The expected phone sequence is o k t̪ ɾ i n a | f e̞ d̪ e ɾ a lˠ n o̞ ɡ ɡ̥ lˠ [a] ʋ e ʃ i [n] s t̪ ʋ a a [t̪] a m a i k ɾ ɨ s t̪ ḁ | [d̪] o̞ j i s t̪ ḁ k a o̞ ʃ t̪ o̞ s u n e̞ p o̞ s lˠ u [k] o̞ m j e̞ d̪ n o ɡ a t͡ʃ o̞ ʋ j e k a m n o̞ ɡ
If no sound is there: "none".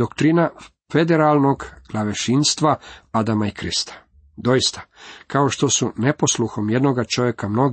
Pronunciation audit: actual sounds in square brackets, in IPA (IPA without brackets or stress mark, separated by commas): a, n, d̪, d̪, x